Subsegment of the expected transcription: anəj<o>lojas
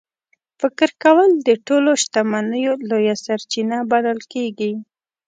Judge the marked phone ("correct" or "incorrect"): correct